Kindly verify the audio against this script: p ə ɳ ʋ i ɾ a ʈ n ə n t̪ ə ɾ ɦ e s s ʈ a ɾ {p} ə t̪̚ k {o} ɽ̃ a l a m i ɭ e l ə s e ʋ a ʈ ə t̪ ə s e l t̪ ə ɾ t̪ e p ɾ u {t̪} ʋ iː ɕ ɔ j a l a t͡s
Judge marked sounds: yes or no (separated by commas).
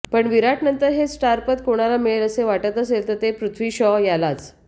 yes, yes, no